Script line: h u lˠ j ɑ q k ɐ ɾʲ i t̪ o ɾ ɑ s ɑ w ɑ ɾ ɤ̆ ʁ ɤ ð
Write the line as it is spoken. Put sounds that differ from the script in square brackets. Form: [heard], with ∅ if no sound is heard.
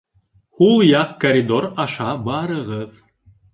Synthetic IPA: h u lˠ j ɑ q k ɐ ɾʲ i [d̪] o ɾ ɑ [ʃ] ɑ [b] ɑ ɾ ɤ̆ ʁ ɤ ð